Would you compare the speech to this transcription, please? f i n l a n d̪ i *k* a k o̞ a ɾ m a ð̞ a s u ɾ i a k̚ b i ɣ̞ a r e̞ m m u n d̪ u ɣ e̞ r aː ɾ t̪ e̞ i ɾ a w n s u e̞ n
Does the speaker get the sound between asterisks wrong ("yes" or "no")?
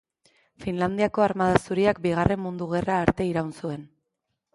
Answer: yes